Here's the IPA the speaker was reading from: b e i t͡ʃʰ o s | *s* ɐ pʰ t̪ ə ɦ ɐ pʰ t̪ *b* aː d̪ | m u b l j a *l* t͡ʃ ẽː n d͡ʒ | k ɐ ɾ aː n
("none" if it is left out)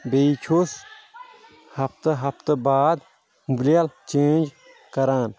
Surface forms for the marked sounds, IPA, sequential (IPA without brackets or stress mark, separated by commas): h, b, l